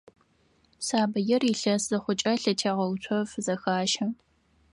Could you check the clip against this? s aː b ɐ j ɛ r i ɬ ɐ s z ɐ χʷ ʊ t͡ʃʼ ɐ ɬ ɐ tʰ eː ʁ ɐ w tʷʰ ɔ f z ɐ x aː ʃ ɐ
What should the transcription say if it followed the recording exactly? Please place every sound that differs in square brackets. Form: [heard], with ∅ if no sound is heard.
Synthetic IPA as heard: s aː b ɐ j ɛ r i ɬ ɐ s z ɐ χʷ ʊ t͡ʃʼ ɐ ɬ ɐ tʰ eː ʁ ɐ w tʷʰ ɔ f z ɐ x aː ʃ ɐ